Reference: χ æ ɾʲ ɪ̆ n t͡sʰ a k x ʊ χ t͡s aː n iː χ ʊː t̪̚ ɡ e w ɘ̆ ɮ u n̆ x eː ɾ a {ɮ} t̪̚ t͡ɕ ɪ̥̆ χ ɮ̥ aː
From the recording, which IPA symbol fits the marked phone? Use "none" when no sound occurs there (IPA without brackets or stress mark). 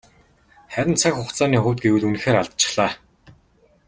ɮ